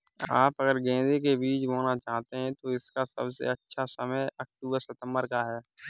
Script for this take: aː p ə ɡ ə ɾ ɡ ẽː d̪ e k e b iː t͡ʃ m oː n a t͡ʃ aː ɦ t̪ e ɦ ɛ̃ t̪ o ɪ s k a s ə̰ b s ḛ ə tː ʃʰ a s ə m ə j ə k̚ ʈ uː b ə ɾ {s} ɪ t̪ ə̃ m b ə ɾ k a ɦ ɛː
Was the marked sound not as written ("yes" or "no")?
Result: no